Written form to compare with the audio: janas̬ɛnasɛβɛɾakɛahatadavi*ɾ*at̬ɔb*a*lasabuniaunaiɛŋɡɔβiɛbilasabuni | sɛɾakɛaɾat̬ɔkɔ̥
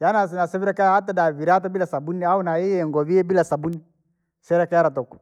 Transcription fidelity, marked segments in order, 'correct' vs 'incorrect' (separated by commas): correct, incorrect